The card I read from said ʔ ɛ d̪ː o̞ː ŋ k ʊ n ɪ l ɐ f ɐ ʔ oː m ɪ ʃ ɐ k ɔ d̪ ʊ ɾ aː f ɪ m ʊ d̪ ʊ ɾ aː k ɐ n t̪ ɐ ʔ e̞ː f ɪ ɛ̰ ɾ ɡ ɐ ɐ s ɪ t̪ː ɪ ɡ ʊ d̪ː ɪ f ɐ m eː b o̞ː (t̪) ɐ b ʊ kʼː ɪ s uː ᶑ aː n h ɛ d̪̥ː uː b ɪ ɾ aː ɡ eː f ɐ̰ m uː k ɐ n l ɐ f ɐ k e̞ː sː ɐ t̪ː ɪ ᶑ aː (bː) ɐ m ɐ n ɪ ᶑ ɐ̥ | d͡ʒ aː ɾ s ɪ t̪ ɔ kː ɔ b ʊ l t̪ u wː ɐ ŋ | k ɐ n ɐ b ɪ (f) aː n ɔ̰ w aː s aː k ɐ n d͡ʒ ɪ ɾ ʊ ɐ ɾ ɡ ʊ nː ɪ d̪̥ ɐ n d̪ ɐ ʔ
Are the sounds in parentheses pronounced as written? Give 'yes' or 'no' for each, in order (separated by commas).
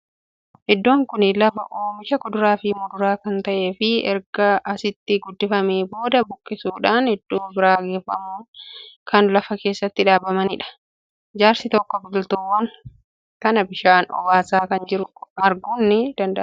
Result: no, no, no